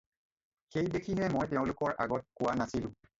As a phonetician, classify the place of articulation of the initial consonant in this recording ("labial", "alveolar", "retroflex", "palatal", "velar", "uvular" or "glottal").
velar